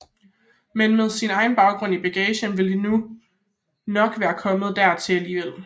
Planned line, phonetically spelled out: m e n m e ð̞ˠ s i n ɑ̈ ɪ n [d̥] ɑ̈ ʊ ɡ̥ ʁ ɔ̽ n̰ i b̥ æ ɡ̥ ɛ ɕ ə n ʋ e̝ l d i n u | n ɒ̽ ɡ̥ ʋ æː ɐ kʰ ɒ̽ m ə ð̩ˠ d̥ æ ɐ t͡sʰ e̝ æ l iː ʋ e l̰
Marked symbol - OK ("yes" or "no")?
no